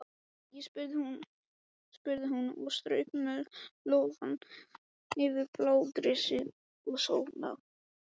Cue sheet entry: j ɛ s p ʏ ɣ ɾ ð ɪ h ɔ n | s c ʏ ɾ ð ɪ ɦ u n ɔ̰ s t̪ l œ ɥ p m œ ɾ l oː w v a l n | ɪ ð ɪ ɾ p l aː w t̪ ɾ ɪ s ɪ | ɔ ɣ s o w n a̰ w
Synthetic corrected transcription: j ɛ s p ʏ ɾ ð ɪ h u n | s p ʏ ɾ ð ɪ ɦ u n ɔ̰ s t̪ ɾ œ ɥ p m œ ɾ l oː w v a n | ɪ v ɪ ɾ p l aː w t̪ ɾ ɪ s ɪ | ɔ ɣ s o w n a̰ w